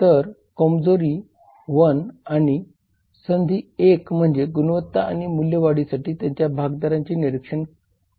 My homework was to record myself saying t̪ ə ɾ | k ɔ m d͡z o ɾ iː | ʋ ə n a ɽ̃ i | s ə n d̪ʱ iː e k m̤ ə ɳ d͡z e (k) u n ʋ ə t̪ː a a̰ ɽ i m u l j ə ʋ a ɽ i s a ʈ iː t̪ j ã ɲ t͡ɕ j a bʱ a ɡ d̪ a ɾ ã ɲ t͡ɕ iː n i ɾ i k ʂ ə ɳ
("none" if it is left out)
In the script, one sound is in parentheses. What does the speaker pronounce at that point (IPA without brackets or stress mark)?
ɡ